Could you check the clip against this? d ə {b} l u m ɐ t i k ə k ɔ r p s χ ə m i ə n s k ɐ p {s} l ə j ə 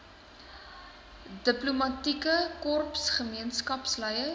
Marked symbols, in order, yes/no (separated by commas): no, yes